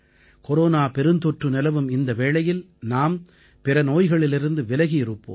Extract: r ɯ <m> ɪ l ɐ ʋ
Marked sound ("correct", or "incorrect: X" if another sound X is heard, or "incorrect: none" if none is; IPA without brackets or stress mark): incorrect: n